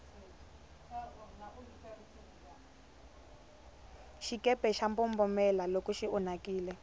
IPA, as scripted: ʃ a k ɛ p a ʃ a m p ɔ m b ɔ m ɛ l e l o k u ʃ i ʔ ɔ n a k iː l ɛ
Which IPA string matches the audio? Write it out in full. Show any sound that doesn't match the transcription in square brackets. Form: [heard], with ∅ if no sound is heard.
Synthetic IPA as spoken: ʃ [i] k ɛ p [ɛ] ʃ a m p ɔ m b ɔ m ɛ l [a] l o k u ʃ i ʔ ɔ n a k iː l ɛ